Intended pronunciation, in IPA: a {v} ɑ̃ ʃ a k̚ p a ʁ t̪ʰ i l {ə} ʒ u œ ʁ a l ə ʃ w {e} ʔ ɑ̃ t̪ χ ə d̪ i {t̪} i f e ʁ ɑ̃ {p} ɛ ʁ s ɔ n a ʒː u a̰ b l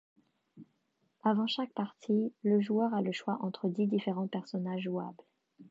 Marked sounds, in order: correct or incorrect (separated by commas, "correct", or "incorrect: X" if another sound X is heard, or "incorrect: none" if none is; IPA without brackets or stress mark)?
correct, correct, incorrect: a, incorrect: d̪, correct